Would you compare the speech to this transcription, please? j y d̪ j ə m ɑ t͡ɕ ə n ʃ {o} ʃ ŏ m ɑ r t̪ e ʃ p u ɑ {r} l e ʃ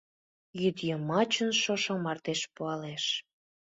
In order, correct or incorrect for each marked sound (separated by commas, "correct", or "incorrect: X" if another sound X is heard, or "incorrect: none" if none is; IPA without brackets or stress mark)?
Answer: correct, incorrect: none